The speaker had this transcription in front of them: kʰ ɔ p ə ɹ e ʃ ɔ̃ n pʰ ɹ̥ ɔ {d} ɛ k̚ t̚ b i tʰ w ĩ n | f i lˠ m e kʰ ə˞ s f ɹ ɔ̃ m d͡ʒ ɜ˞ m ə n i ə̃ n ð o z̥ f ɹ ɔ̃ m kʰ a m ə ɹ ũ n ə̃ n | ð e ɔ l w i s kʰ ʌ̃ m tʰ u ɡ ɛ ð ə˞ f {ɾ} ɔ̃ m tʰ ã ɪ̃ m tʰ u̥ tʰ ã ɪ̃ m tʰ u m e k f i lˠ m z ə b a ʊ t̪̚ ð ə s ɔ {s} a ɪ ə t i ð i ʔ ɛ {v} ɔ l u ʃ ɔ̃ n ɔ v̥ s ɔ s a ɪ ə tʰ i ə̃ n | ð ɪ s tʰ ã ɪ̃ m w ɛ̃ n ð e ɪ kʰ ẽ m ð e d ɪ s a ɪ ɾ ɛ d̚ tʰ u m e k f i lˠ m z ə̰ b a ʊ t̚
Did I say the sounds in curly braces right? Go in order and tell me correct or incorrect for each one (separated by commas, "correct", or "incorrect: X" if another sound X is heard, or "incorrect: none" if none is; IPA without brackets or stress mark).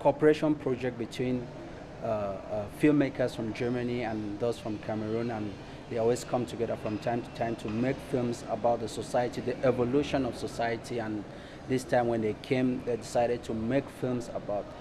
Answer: incorrect: d͡ʒ, incorrect: ɹ, correct, correct